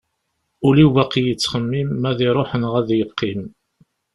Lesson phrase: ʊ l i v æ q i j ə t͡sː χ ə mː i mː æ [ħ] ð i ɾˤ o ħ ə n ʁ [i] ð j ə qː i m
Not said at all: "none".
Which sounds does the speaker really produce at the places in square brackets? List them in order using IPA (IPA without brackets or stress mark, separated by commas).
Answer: none, æ